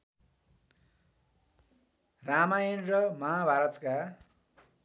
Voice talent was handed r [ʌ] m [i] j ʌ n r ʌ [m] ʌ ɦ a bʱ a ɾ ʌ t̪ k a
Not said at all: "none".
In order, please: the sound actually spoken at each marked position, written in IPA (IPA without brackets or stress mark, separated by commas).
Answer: a, a, m